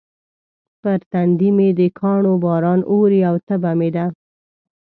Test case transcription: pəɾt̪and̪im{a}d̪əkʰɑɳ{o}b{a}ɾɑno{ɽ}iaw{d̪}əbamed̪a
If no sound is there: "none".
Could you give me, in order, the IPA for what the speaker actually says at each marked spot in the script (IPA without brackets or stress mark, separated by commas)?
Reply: e, o, ɑ, ɾ, t̪